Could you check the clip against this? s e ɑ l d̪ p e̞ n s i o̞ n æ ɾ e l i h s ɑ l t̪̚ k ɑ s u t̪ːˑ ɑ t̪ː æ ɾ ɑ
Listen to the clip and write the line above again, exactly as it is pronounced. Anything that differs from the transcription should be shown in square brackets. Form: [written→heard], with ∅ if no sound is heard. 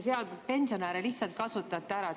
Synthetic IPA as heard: s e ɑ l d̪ p e̞ n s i o̞ n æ ɾ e l i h s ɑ l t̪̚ k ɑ s u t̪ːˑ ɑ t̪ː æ ɾ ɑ

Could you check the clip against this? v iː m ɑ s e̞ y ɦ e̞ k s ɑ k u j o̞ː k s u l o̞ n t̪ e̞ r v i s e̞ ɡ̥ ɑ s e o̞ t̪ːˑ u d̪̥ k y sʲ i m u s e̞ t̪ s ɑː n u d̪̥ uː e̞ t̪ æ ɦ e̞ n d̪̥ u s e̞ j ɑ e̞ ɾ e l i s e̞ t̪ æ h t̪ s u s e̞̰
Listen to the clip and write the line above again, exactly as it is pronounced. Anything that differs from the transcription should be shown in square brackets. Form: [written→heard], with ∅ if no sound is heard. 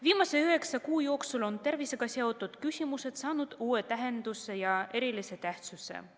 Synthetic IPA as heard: v iː m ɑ s e̞ y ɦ e̞ k s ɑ k [u→uː] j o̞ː k s u l o̞ n t̪ e̞ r v i s e̞ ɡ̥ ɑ s e o̞ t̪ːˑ u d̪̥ k y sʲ i m u s e̞ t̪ s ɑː n u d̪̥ uː e̞ t̪ æ ɦ e̞ n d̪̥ u s e̞ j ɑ e̞ ɾ [e→i] l i s e̞ t̪ æ h t̪ s u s e̞̰

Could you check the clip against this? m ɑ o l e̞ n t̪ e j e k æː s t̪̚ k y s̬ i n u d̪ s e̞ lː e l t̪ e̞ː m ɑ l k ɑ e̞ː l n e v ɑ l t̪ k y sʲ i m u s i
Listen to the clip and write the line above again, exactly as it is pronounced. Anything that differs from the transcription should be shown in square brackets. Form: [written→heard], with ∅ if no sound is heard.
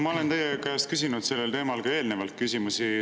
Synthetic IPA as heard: m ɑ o l e̞ n t̪ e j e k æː s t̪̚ k y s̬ i n u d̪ s e̞ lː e l t̪ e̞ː m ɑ l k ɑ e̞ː l n e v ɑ l t̪ k y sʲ i m u s i

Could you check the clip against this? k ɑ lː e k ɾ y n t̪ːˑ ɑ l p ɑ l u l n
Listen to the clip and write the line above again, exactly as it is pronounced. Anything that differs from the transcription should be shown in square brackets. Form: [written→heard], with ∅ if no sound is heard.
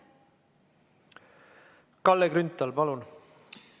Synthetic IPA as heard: k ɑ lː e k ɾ y n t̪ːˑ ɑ l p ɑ l u [l→∅] n

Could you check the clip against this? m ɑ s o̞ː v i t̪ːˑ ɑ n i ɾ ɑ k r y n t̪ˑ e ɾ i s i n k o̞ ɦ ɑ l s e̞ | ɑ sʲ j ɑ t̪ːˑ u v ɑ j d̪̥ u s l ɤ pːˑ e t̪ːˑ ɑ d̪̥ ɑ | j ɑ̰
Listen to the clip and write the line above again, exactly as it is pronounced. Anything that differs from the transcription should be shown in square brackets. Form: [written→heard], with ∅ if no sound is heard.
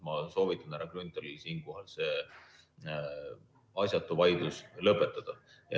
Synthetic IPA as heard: m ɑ s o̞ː v i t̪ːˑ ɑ n [i→æ] ɾ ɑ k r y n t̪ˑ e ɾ i s [i→iː] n k o̞ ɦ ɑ l s e̞ | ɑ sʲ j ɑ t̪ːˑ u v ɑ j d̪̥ u s l ɤ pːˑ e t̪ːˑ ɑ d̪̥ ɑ | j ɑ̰

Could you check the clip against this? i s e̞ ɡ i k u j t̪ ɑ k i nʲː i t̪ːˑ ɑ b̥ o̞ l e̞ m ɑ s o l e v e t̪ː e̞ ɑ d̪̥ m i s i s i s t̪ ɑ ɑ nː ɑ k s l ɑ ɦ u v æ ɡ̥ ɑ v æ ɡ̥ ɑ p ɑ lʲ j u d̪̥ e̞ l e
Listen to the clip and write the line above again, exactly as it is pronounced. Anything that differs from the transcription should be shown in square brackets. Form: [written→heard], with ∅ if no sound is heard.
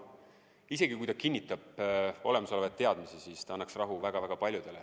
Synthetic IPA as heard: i s e̞ ɡ i k u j t̪ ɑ k i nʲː i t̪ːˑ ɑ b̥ o̞ l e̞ m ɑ s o l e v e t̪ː e̞ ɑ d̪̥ m i s i s i s t̪ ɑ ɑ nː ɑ k s [l→r] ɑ ɦ u v æ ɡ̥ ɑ v æ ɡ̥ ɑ p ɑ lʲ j u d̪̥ e̞ l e

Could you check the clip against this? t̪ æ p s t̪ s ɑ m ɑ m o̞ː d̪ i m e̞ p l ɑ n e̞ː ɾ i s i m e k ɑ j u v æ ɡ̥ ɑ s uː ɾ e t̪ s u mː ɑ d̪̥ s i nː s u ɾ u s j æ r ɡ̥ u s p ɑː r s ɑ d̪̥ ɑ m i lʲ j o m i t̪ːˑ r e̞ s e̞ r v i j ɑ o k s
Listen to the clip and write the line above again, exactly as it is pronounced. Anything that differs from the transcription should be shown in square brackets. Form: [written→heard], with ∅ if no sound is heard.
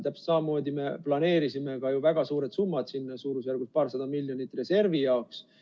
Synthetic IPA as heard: t̪ æ p s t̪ s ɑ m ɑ m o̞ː d̪ i m e̞ p l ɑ n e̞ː ɾ i s i m e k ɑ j u v æ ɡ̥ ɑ s uː ɾ e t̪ s u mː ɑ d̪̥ s i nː s [u→uː] ɾ u s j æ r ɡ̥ u s p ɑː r s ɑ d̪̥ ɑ m i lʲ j o [m→n] i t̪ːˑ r e̞ s e̞ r v i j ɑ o k s

